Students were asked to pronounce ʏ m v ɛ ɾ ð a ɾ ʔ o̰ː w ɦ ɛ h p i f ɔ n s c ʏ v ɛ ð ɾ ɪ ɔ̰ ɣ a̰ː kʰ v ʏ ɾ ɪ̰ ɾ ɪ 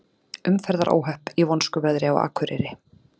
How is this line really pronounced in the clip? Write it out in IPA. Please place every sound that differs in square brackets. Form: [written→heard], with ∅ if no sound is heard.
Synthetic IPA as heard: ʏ m [v→f] ɛ ɾ ð a ɾ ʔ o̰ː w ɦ [ɛ→œ] h p i [f→v] ɔ n s [c→k] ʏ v ɛ ð ɾ ɪ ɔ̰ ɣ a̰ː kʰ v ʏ ɾ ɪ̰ ɾ ɪ